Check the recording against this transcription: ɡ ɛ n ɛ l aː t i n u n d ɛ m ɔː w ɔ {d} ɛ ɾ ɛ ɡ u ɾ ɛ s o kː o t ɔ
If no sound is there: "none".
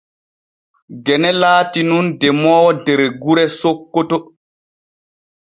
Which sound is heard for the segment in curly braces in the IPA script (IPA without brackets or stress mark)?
d